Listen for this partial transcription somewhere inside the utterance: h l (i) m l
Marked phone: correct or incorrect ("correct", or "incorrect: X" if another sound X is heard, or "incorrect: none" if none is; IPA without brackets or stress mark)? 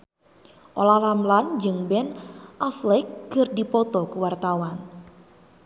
incorrect: a